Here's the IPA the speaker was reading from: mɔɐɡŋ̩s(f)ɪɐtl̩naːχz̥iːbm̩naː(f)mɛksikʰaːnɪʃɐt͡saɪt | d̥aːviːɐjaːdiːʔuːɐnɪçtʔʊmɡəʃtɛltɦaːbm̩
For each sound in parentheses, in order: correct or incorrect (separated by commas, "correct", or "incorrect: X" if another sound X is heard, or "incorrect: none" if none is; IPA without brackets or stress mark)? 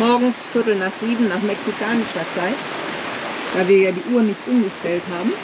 correct, incorrect: χ